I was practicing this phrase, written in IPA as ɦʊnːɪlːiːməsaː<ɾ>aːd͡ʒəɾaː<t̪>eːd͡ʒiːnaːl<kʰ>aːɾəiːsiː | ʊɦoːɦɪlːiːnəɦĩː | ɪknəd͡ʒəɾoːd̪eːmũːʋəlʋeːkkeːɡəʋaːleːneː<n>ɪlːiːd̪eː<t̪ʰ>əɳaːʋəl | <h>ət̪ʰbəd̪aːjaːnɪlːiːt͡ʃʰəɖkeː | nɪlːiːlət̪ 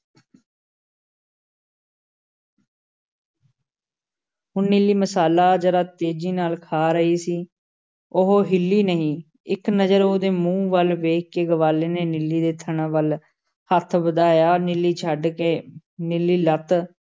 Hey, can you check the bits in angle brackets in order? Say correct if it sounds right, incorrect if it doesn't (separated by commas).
incorrect, correct, correct, correct, correct, correct